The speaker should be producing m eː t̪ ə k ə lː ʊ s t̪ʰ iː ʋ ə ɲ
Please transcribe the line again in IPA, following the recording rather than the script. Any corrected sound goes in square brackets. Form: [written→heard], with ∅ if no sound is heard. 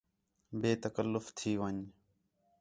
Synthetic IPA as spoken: [m→b] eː t̪ ə k ə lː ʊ [s→f] t̪ʰ iː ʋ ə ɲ